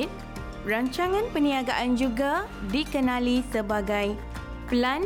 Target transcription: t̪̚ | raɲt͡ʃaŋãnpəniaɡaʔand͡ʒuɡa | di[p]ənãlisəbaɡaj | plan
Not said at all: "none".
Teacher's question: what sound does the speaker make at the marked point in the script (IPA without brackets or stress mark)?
k